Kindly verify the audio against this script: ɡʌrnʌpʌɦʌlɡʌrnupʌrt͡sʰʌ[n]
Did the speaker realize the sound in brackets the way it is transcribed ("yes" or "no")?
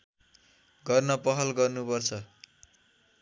no